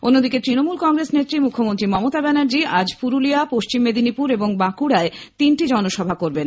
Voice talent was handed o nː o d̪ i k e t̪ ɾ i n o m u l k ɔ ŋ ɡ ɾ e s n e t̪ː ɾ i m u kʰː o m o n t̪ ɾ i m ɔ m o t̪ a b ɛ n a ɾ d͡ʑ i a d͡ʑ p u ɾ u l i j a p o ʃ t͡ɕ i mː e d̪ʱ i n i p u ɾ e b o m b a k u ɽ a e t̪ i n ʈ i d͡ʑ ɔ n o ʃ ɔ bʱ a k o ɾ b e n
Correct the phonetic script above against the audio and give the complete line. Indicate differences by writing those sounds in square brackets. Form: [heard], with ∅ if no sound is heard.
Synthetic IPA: o nː o d̪ i k e t̪ ɾ i n o m u l k ɔ ŋ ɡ ɾ e s n e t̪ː ɾ i m u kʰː o m o n t̪ ɾ i m ɔ m o t̪ a b ɛ n a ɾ d͡ʑ i a d͡ʑ p u ɾ u l i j a p o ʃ t͡ɕ i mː e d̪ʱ i n i p u ɾ e b o [ŋ] b a k u ɽ a e t̪ i n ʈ i d͡ʑ ɔ n o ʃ ɔ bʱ a k o ɾ b e n